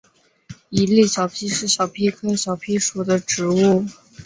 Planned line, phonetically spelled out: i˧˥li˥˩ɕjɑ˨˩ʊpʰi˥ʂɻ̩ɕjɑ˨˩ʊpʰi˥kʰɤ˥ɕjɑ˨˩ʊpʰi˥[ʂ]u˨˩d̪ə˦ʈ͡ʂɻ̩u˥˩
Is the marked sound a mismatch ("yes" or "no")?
no